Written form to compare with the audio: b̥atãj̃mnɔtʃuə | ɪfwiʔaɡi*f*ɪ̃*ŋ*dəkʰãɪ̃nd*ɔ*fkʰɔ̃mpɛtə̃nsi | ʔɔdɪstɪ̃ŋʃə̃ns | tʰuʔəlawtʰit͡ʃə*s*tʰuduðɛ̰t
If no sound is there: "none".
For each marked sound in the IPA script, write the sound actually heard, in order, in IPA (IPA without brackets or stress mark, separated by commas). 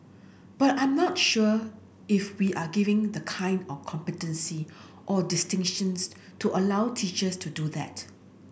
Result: v, ŋ, ɔ, s